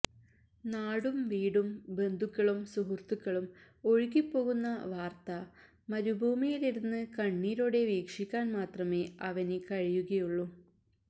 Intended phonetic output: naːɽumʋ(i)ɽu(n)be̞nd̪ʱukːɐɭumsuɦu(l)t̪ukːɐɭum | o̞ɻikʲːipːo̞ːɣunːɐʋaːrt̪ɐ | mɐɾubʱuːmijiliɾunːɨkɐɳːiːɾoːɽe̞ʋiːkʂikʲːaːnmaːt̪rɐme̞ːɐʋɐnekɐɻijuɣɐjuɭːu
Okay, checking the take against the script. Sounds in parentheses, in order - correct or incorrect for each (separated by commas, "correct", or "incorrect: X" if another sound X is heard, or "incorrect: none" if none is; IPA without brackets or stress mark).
incorrect: iː, incorrect: m, incorrect: r